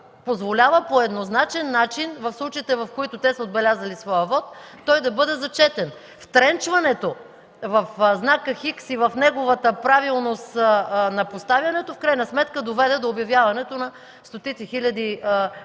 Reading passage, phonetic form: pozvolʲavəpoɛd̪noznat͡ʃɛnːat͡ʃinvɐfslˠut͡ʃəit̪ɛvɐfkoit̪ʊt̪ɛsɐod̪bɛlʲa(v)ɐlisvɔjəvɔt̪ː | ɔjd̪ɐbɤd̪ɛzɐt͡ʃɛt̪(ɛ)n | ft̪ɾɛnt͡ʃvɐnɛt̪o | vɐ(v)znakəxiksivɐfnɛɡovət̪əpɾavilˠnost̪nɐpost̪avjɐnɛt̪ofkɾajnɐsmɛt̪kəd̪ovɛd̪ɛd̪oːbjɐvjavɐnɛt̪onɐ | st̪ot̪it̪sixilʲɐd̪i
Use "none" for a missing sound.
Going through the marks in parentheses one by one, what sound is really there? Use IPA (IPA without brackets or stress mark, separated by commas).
z, ɛ, f